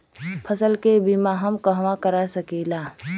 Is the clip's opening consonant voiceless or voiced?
voiceless